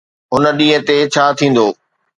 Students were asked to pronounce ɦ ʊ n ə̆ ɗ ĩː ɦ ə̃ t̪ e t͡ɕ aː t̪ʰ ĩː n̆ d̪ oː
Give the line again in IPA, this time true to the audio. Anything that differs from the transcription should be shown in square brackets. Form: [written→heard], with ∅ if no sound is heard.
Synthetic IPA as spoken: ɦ ʊ n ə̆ ɗ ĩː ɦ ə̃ t̪ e [t͡ɕ→t͡ɕʰ] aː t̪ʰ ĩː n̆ d̪ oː